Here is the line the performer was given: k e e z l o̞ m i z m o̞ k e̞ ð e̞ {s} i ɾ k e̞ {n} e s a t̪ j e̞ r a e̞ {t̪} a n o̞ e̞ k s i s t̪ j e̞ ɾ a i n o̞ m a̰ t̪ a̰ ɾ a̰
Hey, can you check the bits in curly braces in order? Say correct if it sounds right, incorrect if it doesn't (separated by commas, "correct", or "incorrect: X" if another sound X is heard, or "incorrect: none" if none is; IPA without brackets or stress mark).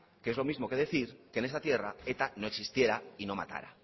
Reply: incorrect: θ, correct, correct